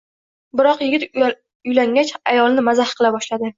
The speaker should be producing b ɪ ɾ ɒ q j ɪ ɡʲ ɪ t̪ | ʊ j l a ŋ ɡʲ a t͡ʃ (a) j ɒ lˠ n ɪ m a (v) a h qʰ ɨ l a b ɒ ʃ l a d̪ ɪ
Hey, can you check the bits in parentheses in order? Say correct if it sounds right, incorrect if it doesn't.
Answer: correct, incorrect: z

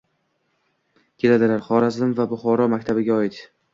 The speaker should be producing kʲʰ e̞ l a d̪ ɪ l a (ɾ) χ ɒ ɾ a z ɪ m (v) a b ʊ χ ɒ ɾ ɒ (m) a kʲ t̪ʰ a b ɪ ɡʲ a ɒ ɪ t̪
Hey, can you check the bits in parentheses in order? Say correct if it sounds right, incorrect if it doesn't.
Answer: correct, correct, correct

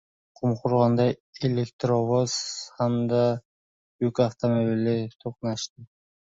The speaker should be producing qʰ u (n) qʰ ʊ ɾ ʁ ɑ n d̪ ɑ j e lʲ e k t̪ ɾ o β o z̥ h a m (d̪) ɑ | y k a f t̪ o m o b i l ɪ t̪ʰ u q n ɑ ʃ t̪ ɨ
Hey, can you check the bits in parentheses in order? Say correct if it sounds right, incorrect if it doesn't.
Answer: incorrect: m, correct

